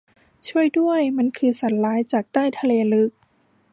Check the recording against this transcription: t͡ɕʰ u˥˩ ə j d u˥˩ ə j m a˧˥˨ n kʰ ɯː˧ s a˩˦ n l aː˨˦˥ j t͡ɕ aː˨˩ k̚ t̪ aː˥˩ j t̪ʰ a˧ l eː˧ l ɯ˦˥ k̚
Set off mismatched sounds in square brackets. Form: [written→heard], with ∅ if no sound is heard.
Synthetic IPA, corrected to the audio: t͡ɕʰ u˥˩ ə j d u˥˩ ə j m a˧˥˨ n kʰ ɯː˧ s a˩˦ n l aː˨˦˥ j t͡ɕ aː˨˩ k̚ t̪ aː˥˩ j t̪ʰ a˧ l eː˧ l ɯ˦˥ k̚